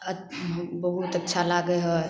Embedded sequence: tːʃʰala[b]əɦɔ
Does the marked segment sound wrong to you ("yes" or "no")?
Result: yes